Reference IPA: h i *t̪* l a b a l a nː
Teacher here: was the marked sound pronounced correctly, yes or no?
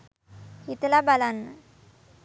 yes